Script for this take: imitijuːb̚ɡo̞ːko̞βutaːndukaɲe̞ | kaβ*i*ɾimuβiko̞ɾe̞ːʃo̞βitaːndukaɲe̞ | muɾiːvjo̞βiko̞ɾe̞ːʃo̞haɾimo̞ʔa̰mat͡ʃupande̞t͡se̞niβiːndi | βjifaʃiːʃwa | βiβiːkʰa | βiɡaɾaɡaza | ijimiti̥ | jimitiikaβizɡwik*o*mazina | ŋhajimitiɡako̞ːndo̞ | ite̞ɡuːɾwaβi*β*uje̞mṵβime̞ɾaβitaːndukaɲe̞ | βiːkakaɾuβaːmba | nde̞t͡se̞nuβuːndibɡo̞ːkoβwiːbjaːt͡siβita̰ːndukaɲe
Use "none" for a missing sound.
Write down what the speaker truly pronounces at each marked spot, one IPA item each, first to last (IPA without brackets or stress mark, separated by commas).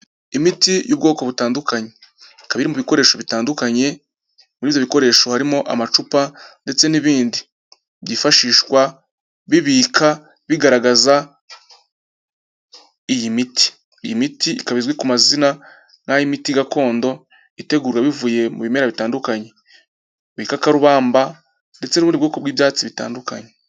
i, u, v